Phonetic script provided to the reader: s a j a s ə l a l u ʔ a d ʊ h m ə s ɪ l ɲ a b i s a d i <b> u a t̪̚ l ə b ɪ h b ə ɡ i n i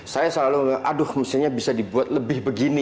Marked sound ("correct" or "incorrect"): correct